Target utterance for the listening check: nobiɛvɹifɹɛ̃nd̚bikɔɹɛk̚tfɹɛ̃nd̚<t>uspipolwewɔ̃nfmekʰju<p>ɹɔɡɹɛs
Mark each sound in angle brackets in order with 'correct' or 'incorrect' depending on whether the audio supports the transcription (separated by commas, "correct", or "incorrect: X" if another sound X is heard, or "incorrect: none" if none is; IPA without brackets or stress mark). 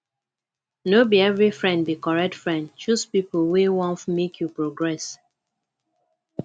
incorrect: t͡ʃ, correct